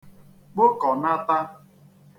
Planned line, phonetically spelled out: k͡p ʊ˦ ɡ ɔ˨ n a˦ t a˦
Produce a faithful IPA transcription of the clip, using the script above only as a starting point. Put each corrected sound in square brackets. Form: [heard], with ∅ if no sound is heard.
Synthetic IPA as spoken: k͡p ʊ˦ [k] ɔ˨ n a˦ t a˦